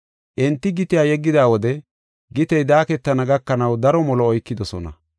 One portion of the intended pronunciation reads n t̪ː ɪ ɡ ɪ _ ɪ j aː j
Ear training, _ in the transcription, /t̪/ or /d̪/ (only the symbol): t̪